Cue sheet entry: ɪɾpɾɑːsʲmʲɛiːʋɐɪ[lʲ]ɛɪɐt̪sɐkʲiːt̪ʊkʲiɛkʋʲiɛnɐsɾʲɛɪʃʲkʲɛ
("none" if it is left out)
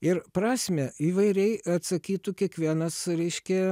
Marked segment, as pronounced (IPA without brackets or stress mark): ɾʲ